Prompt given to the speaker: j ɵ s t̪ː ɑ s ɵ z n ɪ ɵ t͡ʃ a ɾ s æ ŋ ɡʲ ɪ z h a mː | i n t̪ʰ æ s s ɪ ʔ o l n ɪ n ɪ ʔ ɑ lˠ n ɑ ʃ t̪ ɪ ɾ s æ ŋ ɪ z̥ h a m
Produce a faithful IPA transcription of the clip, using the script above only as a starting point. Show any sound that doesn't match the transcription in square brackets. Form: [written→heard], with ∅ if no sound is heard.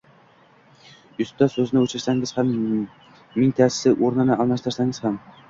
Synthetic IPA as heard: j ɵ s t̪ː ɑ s ɵ z n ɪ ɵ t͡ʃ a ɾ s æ ŋ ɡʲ ɪ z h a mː | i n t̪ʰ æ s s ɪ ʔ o [l→ɾ] n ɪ n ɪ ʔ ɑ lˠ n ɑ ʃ t̪ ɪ ɾ s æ ŋ ɪ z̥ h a m

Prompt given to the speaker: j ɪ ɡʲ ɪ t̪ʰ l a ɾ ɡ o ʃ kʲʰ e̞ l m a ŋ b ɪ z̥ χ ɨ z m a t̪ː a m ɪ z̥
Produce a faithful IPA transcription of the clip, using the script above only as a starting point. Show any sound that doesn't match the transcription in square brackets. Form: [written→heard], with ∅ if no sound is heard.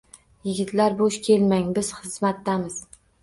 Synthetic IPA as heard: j ɪ ɡʲ ɪ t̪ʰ l a ɾ [ɡ→b] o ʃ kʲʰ e̞ l m a ŋ b ɪ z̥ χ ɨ z m a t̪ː a m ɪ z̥

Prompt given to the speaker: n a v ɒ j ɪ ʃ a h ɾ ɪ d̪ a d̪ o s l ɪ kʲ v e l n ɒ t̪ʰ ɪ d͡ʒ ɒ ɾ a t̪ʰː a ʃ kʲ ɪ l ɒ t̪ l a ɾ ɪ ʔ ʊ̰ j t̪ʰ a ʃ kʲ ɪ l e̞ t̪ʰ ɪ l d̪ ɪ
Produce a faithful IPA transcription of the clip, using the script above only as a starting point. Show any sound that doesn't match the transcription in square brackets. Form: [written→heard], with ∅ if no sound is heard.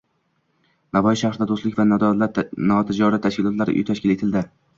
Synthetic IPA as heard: n a v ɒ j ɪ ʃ a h ɾ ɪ d̪ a d̪ o s l ɪ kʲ v [e→a] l n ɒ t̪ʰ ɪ d͡ʒ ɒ ɾ a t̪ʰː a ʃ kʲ ɪ l ɒ t̪ l a ɾ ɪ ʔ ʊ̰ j t̪ʰ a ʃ kʲ ɪ l e̞ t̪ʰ ɪ l d̪ ɪ

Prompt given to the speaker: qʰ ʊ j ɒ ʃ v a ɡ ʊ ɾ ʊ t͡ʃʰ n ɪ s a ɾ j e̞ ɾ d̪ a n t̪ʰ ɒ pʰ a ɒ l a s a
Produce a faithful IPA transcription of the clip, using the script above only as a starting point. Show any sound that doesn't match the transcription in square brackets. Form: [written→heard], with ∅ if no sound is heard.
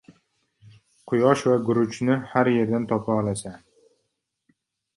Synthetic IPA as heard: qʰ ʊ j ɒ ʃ v a ɡ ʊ ɾ ʊ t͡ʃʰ n ɪ [s→h] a ɾ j e̞ ɾ d̪ a n t̪ʰ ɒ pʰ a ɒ l a s a

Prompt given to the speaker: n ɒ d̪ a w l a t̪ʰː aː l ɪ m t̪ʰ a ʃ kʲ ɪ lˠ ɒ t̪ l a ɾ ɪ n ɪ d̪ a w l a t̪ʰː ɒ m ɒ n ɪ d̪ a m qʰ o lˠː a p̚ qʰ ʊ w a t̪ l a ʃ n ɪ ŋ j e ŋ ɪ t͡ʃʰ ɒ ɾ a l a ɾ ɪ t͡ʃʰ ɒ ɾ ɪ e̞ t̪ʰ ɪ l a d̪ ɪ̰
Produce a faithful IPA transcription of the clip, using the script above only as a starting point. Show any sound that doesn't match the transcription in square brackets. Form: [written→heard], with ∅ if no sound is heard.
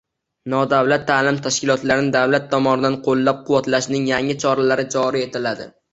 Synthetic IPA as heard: n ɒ d̪ a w l a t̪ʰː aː l ɪ m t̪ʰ a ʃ kʲ ɪ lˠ ɒ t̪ l a ɾ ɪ n ɪ d̪ a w l a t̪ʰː ɒ m ɒ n ɪ d̪ a [m→n] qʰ o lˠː a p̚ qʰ ʊ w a t̪ l a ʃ n ɪ ŋ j [e→a] ŋ ɪ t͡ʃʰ ɒ ɾ a l a ɾ ɪ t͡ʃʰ ɒ ɾ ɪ e̞ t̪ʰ ɪ l a d̪ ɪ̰

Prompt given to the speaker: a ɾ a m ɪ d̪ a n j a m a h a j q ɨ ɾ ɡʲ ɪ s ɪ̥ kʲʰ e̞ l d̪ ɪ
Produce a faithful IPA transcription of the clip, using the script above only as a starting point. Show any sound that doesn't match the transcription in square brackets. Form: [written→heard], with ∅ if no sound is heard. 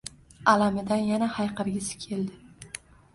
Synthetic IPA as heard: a [ɾ→l] a m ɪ d̪ a n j a [m→n] a h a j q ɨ ɾ ɡʲ ɪ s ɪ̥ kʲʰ e̞ l d̪ ɪ

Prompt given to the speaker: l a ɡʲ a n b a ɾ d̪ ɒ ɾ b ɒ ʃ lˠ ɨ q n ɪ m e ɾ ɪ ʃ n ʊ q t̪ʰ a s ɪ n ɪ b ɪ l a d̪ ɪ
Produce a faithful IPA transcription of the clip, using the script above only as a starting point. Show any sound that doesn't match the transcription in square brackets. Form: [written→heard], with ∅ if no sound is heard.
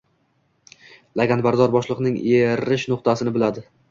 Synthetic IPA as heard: l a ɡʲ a n b a ɾ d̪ ɒ ɾ b ɒ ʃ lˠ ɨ q n ɪ [m→ŋ] e ɾ ɪ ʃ n ʊ q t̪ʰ a s ɪ n ɪ b ɪ l a d̪ ɪ

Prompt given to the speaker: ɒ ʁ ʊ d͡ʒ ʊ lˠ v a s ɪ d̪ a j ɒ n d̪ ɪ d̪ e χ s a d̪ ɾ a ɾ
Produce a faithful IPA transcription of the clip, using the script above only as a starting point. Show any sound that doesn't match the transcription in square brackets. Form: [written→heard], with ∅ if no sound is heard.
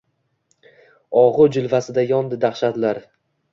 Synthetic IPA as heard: ɒ ʁ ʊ d͡ʒ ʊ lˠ v a s ɪ d̪ a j ɒ n d̪ ɪ d̪ [e→a] χ [s→ʃ] a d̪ [ɾ→l] a ɾ

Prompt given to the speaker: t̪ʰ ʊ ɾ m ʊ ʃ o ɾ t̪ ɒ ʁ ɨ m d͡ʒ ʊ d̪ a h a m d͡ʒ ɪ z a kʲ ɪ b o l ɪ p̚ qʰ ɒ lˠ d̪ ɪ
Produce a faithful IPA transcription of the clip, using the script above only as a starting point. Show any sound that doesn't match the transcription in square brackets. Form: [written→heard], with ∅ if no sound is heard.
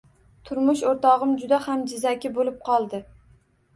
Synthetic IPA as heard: t̪ʰ ʊ ɾ m ʊ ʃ o ɾ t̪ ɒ ʁ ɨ m d͡ʒ ʊ d̪ a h a m d͡ʒ ɪ z a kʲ ɪ b o l ɪ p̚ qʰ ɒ lˠ d̪ ɪ

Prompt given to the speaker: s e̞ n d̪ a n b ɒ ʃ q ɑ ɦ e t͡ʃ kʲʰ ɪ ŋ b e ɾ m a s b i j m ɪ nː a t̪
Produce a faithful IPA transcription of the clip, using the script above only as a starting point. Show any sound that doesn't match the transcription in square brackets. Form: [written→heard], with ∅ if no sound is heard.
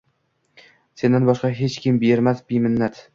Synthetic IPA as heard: s e̞ n d̪ a n b ɒ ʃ q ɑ ɦ e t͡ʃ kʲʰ ɪ [ŋ→m] b e ɾ m a s b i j m ɪ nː a t̪

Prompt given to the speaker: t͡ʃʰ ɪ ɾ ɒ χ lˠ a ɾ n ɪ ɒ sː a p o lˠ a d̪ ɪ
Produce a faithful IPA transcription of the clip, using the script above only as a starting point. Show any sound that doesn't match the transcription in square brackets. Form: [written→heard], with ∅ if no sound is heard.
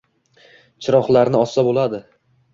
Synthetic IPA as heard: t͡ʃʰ ɪ ɾ ɒ χ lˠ a ɾ n ɪ ɒ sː a [p→b] o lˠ a d̪ ɪ

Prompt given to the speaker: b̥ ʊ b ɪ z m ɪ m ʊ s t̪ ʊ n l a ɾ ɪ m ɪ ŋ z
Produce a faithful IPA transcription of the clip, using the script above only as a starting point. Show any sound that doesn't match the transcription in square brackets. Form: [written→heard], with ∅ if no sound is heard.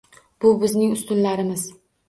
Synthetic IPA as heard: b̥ ʊ b ɪ z [m→n] ɪ [m→ŋ] ʊ s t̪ ʊ n l a ɾ ɪ m ɪ [ŋ→∅] z

